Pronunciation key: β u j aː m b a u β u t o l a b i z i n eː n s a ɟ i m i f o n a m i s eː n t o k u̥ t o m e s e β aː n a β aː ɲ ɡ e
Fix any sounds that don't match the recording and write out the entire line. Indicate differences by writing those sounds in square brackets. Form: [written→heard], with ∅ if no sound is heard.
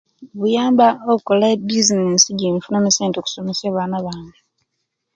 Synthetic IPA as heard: β u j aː m b a [u→o] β u [t→k] o l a b i z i n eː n s [a→i] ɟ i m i f [o→u] n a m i s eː n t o k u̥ [t→s] o m e s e β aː n a β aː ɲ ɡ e